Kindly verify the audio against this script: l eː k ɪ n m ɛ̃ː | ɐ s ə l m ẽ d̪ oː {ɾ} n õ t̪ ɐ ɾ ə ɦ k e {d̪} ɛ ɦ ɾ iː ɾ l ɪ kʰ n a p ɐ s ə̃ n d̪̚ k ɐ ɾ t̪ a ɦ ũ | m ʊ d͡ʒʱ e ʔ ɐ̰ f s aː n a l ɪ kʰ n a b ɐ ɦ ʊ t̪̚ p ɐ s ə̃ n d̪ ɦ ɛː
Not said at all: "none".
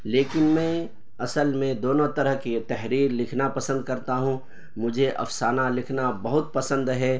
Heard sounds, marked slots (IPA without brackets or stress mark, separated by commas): none, t̪